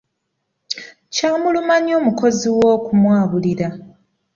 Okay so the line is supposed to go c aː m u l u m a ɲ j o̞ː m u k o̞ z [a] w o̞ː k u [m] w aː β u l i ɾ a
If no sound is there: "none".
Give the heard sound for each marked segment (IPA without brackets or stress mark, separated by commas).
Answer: i, m